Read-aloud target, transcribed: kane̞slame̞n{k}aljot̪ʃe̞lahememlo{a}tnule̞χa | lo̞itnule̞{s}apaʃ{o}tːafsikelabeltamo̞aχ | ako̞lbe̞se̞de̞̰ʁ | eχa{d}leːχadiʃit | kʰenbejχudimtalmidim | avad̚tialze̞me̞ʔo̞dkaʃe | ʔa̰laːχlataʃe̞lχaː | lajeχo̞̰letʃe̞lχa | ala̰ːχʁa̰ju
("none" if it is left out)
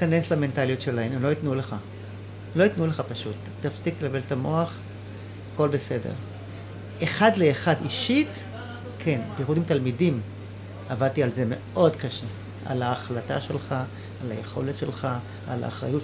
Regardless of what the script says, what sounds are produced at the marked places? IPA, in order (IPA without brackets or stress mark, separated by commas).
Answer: t, i, χ, u, d